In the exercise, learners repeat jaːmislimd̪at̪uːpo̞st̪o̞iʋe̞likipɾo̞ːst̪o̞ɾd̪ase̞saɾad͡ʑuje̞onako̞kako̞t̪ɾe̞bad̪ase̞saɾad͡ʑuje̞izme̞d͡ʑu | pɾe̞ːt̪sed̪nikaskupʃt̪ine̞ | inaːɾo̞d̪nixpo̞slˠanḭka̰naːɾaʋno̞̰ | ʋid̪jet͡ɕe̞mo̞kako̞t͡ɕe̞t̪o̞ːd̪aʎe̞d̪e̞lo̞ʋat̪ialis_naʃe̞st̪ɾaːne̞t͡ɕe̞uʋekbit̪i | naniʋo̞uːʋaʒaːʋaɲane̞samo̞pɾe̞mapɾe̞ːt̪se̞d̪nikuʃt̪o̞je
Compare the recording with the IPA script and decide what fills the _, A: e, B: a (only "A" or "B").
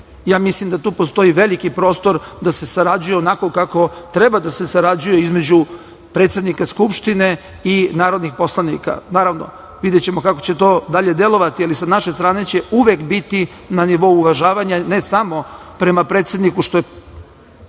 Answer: B